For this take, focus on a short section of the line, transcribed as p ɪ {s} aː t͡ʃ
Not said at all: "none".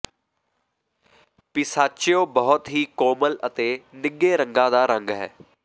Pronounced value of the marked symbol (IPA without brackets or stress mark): s